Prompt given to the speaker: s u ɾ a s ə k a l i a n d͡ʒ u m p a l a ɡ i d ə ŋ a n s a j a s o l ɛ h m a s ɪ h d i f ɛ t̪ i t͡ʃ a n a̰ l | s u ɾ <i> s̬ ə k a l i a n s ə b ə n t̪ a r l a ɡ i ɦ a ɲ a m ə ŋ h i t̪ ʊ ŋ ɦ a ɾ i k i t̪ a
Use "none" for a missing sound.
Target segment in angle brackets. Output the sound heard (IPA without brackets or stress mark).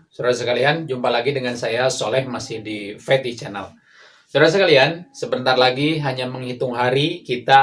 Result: a